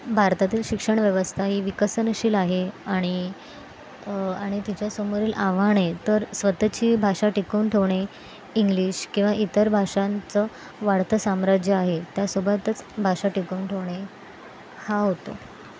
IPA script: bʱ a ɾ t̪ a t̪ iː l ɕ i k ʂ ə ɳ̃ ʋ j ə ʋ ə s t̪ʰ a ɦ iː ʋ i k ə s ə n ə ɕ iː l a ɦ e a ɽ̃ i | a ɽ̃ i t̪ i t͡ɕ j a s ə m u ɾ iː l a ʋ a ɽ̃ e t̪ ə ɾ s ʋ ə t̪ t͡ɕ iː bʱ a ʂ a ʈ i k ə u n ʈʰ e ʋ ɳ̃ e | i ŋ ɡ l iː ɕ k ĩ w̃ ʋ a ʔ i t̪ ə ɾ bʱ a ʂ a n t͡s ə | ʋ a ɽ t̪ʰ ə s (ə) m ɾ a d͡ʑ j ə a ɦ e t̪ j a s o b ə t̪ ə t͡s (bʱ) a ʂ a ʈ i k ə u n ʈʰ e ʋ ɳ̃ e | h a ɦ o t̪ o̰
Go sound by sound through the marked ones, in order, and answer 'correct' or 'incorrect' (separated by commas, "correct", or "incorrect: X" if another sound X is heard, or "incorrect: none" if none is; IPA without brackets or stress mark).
incorrect: a, correct